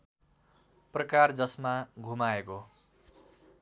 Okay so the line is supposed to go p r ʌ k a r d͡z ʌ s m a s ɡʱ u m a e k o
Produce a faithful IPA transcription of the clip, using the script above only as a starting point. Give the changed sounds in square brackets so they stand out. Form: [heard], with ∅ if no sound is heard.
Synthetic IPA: p r ʌ k a r d͡z ʌ s m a [∅] ɡʱ u m a e k o